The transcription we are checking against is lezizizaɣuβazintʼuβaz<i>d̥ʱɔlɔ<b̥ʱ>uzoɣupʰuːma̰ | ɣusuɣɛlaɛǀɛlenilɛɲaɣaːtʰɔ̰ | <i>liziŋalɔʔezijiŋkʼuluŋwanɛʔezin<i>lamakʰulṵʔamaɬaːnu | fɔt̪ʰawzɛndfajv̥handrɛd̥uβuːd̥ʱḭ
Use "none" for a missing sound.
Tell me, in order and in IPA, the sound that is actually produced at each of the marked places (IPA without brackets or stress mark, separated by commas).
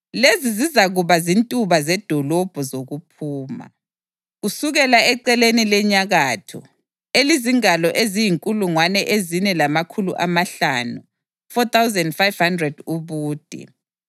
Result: ɛ, b̥ʱ, e, ɛ